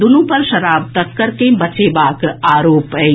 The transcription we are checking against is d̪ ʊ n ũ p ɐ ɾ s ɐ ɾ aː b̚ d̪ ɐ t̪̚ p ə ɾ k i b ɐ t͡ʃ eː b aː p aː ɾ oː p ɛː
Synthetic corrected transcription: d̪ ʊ n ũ p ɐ ɾ ʃ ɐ ɾ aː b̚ t̪ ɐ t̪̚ k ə ɾ k e b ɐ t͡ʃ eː b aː k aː ɾ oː p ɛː